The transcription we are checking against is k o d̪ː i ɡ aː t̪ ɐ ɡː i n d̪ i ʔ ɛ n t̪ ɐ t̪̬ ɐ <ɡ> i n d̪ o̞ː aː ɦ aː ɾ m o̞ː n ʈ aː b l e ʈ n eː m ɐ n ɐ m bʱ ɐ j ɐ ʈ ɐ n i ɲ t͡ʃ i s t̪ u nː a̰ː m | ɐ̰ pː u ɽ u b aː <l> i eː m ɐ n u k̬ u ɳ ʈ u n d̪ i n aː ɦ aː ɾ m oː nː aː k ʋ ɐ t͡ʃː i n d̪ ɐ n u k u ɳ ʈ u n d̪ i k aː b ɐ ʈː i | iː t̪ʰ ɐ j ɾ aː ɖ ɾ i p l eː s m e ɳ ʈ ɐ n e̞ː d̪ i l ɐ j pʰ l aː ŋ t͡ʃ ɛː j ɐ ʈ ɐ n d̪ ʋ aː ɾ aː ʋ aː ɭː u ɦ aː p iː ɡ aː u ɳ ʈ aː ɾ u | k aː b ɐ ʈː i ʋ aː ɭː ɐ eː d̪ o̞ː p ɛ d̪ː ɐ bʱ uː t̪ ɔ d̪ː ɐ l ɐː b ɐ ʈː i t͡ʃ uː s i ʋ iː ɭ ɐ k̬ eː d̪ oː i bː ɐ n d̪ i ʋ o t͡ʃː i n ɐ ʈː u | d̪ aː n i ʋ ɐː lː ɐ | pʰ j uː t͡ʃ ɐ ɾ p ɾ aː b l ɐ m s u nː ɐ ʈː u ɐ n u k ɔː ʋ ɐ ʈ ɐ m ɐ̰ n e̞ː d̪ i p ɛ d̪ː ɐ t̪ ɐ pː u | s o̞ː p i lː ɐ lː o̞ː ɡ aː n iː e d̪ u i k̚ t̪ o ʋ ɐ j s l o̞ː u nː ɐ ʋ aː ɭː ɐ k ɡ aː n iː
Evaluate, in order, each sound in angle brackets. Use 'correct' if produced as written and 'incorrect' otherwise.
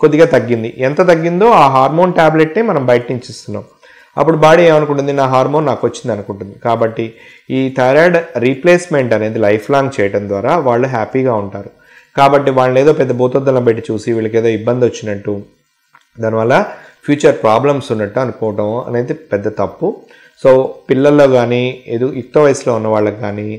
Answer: incorrect: ɡː, incorrect: ɽ

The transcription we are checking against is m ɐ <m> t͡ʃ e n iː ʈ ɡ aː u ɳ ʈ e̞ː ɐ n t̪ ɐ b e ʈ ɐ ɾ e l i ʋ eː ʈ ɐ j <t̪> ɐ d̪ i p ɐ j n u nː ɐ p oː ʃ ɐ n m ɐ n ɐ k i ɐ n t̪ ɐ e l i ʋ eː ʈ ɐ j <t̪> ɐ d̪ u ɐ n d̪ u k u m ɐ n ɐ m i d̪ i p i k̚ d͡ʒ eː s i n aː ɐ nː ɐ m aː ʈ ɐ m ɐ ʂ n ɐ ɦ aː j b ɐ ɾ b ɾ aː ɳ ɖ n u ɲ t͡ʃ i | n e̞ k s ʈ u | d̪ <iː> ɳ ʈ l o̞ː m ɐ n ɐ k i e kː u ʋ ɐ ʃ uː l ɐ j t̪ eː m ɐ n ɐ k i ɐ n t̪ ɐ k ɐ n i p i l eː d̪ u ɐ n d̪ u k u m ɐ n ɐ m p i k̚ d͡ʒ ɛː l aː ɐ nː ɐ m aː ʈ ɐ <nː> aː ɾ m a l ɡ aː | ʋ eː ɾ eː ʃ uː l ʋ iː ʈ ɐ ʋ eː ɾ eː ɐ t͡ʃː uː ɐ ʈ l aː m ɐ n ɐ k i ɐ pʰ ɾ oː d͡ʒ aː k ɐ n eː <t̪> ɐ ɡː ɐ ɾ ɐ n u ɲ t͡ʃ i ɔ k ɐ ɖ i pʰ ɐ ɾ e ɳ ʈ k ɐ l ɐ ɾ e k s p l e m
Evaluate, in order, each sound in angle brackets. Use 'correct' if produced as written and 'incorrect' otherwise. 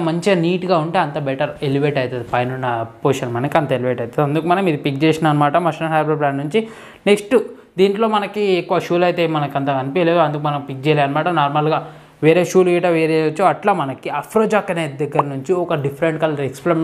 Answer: incorrect: ɲ, correct, correct, correct, incorrect: n, incorrect: d̪

